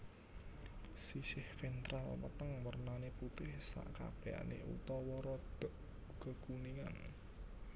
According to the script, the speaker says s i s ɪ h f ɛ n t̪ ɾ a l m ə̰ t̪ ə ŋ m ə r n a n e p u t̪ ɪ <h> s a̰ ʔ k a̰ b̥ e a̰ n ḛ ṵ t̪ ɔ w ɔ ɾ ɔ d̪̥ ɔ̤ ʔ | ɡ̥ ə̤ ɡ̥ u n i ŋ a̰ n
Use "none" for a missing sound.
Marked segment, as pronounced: h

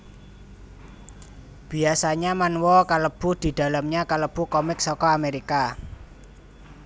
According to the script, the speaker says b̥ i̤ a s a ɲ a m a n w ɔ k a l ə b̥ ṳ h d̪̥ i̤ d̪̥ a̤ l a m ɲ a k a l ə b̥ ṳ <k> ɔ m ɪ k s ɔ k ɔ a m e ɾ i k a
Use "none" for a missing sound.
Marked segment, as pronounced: k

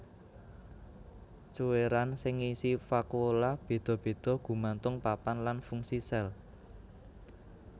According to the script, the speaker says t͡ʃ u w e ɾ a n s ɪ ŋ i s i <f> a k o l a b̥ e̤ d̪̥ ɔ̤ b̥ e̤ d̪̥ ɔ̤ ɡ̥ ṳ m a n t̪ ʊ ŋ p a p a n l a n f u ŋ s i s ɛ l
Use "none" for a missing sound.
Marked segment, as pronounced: f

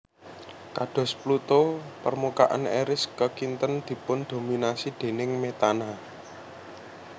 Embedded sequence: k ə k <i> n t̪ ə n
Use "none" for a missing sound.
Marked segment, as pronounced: i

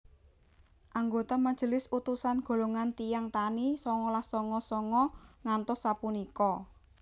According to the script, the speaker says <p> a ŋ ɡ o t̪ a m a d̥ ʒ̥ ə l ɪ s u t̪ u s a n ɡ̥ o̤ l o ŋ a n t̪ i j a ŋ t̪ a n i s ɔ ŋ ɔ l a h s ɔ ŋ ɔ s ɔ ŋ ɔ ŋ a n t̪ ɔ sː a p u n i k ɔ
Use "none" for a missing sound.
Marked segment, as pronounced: ʔ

